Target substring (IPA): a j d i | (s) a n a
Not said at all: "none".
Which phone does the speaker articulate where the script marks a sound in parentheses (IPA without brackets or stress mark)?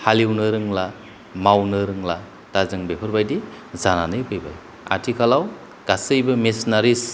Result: z